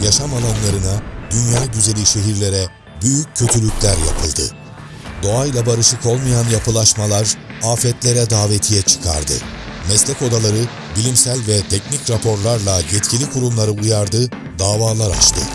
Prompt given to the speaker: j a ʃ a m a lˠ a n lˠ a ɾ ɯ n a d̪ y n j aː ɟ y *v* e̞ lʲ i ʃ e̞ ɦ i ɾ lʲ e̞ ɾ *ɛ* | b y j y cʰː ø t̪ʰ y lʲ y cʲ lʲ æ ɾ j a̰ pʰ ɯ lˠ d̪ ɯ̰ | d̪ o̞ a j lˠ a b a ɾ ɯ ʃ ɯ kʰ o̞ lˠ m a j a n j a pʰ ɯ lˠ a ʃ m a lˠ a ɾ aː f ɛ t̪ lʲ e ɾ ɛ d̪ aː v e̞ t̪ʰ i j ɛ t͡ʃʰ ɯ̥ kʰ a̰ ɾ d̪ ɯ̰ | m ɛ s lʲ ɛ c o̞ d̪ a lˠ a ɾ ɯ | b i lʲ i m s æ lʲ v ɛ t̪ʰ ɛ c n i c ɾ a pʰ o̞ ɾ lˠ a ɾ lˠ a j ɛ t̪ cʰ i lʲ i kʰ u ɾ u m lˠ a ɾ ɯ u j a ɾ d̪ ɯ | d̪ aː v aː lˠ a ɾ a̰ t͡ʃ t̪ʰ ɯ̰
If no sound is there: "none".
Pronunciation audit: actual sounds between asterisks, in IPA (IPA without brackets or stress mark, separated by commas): z, ɛ